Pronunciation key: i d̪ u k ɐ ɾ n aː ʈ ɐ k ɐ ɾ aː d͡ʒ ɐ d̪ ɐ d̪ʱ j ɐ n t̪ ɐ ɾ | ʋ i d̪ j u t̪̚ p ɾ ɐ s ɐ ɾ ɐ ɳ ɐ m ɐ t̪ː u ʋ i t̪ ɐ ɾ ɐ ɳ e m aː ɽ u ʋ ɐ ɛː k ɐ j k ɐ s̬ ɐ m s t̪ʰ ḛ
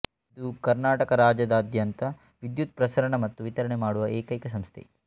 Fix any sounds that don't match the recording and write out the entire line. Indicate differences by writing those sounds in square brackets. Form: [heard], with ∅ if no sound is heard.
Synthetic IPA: i d̪ u k ɐ ɾ n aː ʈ ɐ k ɐ ɾ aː d͡ʒ ɐ d̪ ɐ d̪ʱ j ɐ n t̪ ɐ [∅] | ʋ i d̪ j u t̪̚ p ɾ ɐ s ɐ ɾ ɐ ɳ ɐ m ɐ t̪ː u ʋ i t̪ ɐ ɾ ɐ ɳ e m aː ɽ u ʋ ɐ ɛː k ɐ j k ɐ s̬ ɐ m s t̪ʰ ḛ